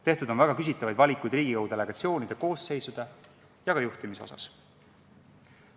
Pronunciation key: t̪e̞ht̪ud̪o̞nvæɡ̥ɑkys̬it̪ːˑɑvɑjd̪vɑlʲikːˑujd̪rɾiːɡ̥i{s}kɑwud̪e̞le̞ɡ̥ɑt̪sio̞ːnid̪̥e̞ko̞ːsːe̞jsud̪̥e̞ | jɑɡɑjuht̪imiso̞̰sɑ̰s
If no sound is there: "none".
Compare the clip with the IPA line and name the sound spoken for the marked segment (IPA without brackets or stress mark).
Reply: none